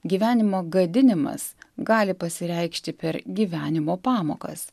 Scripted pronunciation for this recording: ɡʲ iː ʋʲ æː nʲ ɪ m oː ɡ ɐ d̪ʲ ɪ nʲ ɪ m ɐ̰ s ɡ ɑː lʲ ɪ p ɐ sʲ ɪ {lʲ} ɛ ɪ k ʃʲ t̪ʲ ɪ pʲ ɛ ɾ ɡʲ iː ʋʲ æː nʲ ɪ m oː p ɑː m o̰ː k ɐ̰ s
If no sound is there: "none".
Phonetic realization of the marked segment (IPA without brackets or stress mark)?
ɾʲ